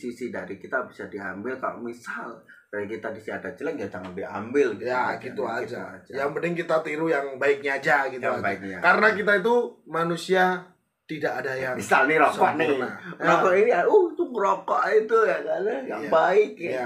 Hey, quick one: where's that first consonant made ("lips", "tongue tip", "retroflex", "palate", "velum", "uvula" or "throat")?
tongue tip